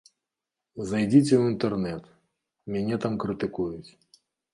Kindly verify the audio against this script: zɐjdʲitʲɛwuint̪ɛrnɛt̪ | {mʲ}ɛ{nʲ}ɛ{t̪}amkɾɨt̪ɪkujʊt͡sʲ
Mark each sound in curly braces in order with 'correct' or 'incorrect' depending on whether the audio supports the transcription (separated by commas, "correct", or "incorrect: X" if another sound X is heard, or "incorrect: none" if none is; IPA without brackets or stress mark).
correct, correct, correct